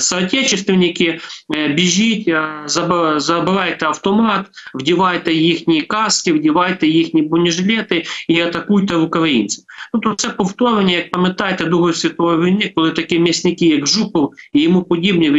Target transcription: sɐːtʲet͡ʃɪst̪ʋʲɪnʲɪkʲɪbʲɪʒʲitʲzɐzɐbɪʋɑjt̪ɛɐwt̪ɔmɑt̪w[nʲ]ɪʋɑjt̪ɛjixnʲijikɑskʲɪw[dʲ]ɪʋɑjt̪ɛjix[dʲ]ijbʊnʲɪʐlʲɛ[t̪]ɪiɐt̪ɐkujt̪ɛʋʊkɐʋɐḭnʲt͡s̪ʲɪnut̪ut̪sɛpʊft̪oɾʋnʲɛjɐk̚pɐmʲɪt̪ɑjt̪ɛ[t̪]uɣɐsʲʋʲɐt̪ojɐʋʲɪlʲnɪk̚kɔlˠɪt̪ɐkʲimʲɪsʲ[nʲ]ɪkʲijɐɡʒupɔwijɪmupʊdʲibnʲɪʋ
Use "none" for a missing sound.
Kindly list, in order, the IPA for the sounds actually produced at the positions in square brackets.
dʲ, dʲ, nʲ, t̪, d̪, nʲ

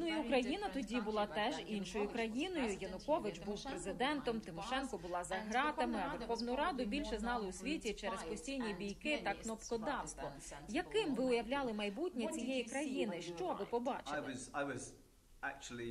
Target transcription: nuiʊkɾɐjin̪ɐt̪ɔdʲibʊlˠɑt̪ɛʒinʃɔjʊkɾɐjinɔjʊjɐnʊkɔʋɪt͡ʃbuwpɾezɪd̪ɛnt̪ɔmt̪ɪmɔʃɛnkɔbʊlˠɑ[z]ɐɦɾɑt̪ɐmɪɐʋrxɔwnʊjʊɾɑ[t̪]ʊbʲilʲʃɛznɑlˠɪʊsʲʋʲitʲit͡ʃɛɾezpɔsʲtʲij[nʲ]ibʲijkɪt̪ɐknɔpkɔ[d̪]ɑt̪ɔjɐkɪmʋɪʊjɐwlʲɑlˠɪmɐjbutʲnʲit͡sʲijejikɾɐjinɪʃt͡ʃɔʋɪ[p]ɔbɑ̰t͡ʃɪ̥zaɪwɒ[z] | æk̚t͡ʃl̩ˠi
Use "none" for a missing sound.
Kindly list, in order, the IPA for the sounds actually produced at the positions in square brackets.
z, d̪, nʲ, d̪, p, z

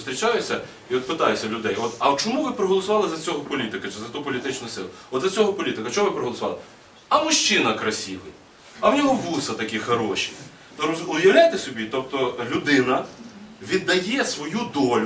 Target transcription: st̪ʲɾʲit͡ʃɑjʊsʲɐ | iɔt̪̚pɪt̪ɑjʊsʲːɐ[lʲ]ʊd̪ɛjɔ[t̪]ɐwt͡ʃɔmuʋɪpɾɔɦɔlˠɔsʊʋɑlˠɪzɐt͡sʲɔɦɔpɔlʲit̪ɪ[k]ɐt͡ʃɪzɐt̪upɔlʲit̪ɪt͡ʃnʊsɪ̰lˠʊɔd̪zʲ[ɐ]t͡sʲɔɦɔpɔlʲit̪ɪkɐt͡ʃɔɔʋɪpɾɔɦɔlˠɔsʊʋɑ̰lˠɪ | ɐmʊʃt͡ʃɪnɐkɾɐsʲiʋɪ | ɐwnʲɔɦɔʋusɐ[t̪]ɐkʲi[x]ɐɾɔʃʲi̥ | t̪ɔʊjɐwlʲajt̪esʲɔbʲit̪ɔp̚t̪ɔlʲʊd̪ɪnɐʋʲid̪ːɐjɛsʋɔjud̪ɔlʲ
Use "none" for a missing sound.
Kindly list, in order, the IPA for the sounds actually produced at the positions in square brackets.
lʲ, t̪, k, ɐ, t̪, x

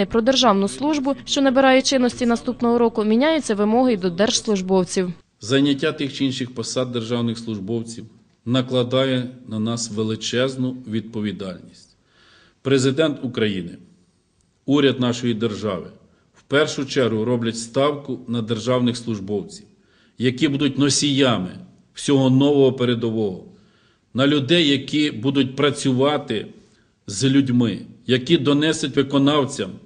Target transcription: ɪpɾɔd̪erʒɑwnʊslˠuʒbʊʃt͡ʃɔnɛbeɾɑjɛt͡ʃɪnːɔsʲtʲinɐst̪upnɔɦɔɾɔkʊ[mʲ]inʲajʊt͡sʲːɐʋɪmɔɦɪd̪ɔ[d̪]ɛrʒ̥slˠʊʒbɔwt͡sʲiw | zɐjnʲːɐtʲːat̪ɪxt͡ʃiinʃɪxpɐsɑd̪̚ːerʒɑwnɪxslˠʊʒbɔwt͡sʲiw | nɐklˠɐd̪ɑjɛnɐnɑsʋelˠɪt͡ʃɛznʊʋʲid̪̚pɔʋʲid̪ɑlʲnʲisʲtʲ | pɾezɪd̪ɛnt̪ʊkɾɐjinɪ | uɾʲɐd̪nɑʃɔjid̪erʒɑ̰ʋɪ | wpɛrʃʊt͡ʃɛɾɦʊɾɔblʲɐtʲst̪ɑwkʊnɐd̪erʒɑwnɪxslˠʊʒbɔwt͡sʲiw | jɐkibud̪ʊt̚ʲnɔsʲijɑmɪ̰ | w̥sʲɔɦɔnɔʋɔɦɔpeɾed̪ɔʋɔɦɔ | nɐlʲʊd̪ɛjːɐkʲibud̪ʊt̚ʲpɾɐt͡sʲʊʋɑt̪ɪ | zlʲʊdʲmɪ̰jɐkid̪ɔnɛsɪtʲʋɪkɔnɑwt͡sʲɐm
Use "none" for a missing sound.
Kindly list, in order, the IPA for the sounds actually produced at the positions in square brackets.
mʲ, d̪

